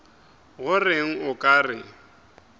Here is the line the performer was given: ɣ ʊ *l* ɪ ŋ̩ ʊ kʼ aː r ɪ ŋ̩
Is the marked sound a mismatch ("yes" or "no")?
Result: yes